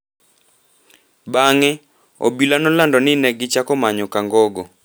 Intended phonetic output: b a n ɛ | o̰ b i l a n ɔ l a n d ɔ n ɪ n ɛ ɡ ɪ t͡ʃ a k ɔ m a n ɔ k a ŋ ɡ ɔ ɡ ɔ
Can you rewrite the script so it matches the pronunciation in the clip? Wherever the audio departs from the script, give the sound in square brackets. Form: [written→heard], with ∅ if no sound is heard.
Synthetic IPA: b a [n→ŋ] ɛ | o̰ b i l a n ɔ l a n d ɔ n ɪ n ɛ ɡ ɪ t͡ʃ a k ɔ m a [n→ɲ] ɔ k a ŋ ɡ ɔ ɡ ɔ